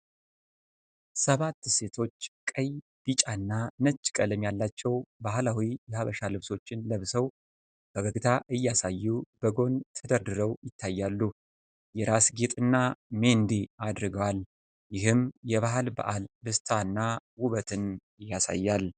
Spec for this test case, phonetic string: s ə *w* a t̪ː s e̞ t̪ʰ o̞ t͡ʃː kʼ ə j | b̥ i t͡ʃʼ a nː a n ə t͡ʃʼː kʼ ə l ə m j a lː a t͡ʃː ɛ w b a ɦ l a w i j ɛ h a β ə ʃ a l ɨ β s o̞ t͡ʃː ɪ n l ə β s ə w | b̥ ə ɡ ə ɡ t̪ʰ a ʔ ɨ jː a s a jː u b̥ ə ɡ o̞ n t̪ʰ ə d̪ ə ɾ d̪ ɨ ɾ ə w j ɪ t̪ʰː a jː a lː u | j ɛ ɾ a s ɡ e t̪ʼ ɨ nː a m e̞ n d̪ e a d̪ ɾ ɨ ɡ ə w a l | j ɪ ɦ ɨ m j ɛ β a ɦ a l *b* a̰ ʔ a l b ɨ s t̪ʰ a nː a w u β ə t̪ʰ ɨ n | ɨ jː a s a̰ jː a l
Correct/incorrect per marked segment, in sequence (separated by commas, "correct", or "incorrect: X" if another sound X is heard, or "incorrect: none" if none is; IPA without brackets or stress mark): incorrect: β, correct